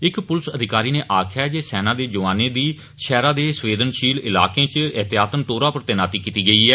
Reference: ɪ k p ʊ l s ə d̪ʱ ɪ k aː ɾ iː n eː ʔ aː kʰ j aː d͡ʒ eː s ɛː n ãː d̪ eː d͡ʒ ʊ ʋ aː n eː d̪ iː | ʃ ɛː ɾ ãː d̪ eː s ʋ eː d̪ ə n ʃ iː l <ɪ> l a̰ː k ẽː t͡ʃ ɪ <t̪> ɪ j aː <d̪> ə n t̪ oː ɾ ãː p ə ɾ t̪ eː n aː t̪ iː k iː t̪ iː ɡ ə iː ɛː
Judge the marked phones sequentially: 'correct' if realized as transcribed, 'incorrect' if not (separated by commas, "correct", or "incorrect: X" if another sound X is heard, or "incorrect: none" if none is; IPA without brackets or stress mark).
correct, correct, incorrect: t̪